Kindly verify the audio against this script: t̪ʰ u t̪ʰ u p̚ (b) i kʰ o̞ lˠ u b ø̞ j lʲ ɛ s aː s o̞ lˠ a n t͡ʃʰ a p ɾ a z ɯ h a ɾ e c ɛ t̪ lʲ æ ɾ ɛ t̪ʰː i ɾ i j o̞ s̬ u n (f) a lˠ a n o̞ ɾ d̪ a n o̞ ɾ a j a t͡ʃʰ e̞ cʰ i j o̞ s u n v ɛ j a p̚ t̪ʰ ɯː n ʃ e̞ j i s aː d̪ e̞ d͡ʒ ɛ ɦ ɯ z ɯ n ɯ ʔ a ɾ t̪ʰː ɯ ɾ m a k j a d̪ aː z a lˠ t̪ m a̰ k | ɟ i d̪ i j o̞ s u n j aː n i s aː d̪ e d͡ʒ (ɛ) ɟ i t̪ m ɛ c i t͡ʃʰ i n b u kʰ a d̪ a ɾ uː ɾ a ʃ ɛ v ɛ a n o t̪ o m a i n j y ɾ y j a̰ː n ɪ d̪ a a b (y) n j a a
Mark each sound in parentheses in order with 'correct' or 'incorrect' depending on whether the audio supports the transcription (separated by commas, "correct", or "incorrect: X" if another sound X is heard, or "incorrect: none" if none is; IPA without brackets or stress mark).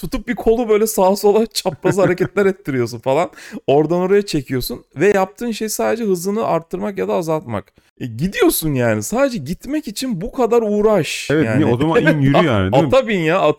correct, correct, correct, incorrect: i